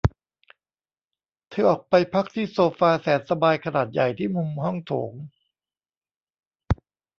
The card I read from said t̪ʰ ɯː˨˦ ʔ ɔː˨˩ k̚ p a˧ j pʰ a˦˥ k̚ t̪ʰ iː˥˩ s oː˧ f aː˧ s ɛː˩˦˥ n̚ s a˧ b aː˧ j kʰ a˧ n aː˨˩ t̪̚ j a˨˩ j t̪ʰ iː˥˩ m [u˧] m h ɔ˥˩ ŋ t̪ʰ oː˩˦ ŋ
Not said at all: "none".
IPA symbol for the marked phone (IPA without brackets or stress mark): u˧